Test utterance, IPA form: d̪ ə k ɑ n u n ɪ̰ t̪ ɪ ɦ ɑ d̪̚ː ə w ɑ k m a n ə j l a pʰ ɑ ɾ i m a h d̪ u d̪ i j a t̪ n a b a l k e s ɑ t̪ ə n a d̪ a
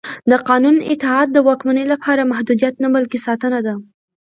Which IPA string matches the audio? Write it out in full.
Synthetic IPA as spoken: d̪ ə q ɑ n u n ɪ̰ t̪ ɪ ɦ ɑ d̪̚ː ə w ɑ k m a n ə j l a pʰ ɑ ɾ a m a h d̪ u d̪ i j a t̪ n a b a l k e s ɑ t̪ ə n a d̪ a